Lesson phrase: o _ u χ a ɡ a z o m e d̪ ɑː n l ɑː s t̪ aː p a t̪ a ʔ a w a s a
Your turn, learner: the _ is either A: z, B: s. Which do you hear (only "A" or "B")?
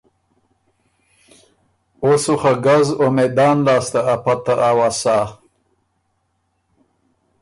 B